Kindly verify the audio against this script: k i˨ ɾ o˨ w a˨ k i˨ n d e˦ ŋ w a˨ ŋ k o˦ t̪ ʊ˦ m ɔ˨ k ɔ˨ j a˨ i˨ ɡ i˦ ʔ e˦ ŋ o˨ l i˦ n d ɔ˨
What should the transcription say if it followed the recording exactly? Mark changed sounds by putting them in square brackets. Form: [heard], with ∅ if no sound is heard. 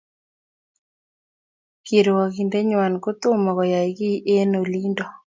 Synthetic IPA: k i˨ ɾ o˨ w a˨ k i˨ n d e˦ [ɲ] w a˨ [n] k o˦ t̪ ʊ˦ m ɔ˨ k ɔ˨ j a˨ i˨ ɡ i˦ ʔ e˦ [n] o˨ l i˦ n d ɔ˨